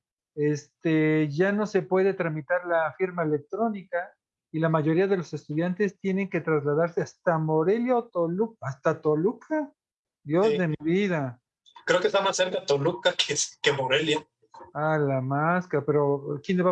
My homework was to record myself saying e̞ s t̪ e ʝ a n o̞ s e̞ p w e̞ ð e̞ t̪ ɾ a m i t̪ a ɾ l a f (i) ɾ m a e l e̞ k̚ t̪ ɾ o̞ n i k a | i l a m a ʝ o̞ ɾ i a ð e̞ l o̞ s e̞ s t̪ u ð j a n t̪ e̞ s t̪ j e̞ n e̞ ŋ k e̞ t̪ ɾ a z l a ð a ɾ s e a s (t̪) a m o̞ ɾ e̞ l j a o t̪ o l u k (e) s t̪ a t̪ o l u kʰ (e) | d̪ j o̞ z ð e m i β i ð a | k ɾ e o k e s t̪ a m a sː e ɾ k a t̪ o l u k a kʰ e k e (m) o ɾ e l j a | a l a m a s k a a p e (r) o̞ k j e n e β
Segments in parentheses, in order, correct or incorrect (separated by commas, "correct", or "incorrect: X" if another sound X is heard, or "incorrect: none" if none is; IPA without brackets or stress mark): correct, correct, incorrect: a, incorrect: a, correct, incorrect: ɾ